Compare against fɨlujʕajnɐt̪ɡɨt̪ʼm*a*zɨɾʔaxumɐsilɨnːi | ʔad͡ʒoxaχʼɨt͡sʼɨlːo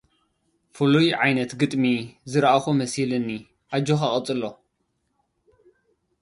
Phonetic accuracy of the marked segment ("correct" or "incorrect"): incorrect